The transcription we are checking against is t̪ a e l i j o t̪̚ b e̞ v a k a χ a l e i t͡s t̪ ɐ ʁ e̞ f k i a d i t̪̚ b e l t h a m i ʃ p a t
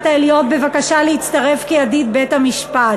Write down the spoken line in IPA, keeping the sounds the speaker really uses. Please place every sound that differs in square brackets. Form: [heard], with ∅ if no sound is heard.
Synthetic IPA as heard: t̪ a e l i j o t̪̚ b e̞ v a k a [ʃ] a l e i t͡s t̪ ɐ ʁ e̞ f k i a d i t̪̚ b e [∅] t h a m i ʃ p a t